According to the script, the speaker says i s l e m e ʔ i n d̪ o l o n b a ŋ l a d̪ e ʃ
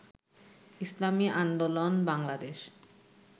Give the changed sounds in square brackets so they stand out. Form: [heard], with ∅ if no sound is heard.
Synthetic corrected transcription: i s l [a] m [i] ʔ [a] n d̪ o l o n b a ŋ l a d̪ e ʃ